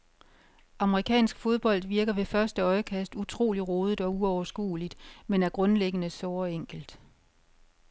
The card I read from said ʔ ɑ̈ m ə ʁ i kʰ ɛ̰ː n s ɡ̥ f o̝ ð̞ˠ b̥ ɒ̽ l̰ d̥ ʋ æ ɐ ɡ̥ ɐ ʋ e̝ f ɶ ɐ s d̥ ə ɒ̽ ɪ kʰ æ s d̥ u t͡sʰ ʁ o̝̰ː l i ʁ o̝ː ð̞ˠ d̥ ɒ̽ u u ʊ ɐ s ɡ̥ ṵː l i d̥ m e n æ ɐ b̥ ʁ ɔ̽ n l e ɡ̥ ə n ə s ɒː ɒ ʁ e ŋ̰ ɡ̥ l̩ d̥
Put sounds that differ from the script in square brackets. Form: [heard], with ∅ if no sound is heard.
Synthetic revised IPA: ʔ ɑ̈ m ə ʁ i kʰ ɛ̰ː n s ɡ̥ f o̝ ð̞ˠ b̥ ɒ̽ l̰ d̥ ʋ [i] ɐ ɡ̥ ɐ ʋ e̝ f ɶ ɐ s d̥ ə ɒ̽ ɪ kʰ æ s d̥ u t͡sʰ ʁ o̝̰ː l i ʁ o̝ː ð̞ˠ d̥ ɒ̽ u [ɒ] ʊ ɐ s ɡ̥ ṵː l i d̥ m e n æ ɐ [ɡ̥] ʁ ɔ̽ n l e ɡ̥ ə n ə s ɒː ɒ [∅] e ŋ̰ ɡ̥ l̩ d̥

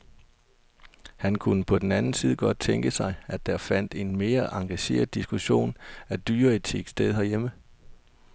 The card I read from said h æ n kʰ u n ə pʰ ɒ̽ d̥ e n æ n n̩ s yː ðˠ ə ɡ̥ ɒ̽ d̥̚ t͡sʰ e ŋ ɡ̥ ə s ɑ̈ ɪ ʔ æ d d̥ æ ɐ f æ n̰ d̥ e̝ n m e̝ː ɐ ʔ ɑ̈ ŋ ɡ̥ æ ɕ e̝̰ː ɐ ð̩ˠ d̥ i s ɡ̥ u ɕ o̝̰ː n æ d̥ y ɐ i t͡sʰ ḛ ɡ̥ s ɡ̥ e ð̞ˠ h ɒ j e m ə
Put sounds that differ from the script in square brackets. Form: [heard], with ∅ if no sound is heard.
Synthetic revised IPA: h æ n kʰ u n ə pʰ ɒ̽ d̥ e n æ n n̩ s [iː] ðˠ ə ɡ̥ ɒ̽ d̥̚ t͡sʰ e ŋ ɡ̥ ə s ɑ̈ ɪ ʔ æ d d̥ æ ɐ f æ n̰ d̥ e̝ n m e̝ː ɐ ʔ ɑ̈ ŋ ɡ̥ æ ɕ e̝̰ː ɐ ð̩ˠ d̥ i s ɡ̥ u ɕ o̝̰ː n æ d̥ [yː] ɐ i t͡sʰ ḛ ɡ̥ s [d̥] e ð̞ˠ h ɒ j e m ə

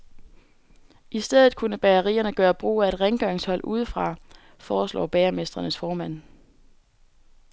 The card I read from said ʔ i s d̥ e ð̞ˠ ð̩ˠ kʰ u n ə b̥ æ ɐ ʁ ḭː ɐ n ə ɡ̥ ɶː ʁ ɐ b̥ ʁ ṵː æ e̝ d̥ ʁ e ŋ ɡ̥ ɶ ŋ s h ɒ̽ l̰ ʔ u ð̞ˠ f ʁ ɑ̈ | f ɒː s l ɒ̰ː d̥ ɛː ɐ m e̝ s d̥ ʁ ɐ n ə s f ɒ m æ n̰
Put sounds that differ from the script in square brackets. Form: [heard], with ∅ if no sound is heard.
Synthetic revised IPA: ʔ i s d̥ e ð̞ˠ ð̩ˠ kʰ u n ə b̥ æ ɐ ʁ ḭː ɐ n ə ɡ̥ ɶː [∅] ɐ b̥ ʁ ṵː æ e̝ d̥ ʁ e ŋ ɡ̥ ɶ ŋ s h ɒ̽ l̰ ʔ u ð̞ˠ f ʁ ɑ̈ | f ɒː s l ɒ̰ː [b̥] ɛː ɐ m e̝ s d̥ ʁ ɐ n ə s f [ɒː] m æ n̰

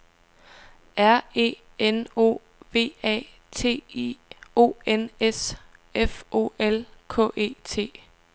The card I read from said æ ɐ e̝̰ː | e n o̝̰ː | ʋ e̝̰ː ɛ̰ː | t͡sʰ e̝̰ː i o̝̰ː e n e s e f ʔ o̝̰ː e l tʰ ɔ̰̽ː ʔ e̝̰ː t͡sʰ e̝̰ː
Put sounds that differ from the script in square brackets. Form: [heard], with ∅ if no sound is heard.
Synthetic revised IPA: æ ɐ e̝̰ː | e n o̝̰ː | ʋ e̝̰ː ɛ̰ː | t͡sʰ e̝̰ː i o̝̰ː e n e s e f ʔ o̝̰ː e l [kʰ] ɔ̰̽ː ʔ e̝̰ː t͡sʰ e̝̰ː

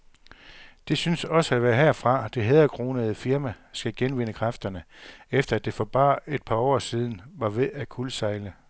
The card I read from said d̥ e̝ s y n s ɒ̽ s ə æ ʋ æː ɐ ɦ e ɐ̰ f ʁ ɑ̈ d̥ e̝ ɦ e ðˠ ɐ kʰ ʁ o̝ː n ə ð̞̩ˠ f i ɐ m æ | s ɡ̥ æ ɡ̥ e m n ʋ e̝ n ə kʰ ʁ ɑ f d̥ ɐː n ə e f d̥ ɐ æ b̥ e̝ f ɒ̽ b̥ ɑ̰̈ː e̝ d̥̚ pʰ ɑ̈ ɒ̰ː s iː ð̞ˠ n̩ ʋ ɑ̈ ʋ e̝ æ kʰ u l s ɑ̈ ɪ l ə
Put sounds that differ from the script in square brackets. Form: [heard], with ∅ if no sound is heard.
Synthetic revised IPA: d̥ e̝ s y n s ɒ̽ s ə æ ʋ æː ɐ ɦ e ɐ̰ f ʁ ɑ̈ d̥ e̝ ɦ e ðˠ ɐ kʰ ʁ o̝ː n ə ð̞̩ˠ f i ɐ m æ | s ɡ̥ æ ɡ̥ e [∅] n ʋ e̝ n ə kʰ ʁ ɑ f d̥ [ɐ] n ə e f d̥ ɐ æ [d̥] e̝ f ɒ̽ b̥ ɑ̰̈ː e̝ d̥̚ pʰ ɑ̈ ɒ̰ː s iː ð̞ˠ n̩ ʋ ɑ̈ ʋ e̝ æ kʰ u l s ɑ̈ ɪ l ə

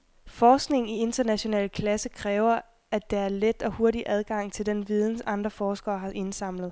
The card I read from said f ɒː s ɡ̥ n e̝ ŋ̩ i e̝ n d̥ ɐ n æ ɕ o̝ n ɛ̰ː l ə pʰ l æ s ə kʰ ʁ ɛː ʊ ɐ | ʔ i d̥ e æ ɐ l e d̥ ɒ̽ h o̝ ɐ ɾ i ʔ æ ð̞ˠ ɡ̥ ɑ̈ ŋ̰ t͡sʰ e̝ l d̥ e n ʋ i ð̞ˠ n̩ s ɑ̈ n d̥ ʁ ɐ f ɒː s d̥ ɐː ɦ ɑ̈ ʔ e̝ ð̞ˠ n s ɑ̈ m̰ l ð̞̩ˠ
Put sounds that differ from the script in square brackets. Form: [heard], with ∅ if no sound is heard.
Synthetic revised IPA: f ɒː s ɡ̥ n e̝ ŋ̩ i e̝ n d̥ ɐ n æ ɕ o̝ n ɛ̰ː l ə [kʰ] l æ s ə kʰ ʁ ɛː ʊ ɐ | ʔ [æ] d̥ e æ ɐ l e d̥ ɒ̽ h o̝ ɐ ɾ i ʔ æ ð̞ˠ ɡ̥ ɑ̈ ŋ̰ t͡sʰ e̝ l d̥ e n ʋ i ð̞ˠ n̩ s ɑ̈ n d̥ ʁ ɐ f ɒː s [ɡ̥] ɐː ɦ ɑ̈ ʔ e̝ [∅] n s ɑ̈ m̰ l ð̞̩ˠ

